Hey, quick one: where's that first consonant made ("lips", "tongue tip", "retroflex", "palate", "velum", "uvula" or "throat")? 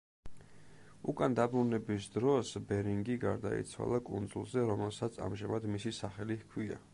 velum